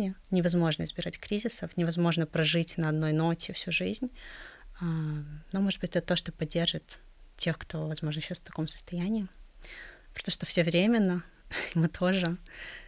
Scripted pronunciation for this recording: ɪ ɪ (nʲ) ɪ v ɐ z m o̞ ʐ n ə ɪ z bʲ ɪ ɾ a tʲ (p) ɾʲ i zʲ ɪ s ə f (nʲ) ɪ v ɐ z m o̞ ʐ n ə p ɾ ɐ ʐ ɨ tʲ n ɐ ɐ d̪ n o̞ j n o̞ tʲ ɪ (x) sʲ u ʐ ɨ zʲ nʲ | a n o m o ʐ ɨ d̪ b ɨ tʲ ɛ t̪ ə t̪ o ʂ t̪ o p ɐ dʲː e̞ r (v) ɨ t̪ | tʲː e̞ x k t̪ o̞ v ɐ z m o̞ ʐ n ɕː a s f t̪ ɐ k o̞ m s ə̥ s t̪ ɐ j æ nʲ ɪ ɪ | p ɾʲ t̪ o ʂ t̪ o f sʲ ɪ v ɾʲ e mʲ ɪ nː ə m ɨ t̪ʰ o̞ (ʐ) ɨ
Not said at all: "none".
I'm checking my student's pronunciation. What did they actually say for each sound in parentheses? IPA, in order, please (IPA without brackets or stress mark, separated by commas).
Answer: nʲ, k, nʲ, f, ʐ, ʐ